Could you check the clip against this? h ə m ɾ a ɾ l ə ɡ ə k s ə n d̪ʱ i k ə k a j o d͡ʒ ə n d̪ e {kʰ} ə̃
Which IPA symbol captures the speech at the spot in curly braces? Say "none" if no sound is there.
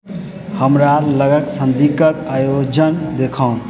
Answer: kʰ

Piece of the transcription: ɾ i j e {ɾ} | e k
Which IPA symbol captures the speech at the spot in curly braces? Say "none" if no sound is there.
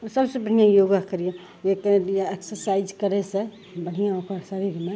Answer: none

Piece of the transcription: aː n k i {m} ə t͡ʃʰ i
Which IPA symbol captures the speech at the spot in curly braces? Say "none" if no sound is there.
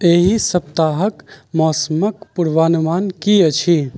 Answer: none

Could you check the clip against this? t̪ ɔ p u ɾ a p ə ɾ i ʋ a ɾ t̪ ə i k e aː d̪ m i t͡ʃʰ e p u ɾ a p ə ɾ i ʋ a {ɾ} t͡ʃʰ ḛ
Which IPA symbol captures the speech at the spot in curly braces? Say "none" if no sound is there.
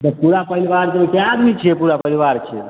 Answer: ɾ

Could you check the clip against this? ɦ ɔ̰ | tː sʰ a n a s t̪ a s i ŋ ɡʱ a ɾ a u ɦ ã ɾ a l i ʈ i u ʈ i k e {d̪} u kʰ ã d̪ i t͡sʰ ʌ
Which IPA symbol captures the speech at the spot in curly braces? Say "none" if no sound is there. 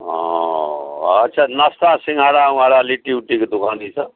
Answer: d̪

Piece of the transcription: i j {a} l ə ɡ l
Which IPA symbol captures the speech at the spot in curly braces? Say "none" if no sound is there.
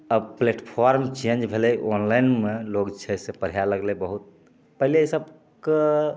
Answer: a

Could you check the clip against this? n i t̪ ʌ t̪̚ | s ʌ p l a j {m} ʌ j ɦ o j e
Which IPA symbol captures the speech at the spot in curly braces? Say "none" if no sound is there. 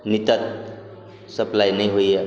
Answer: n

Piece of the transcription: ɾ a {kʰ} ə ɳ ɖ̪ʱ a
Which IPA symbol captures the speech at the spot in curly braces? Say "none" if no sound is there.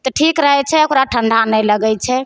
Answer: ʈʰ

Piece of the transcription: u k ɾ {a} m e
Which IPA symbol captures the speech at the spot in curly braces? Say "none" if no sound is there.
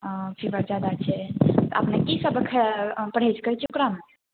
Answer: a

